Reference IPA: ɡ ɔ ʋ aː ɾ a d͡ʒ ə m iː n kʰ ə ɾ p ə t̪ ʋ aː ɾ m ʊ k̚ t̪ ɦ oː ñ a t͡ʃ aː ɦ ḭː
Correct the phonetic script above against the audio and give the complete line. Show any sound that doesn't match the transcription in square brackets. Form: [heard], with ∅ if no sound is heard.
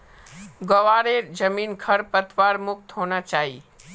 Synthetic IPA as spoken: ɡ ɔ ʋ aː ɾ [e] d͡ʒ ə m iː n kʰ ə ɾ p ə t̪ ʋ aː ɾ m ʊ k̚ t̪ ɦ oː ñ a t͡ʃ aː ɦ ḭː